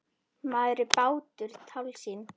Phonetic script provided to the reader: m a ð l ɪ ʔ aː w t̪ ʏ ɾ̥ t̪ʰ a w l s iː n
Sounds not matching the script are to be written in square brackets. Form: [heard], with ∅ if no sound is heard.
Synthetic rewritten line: m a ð [ɾ] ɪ [p] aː w t̪ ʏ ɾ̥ t̪ʰ a w l s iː n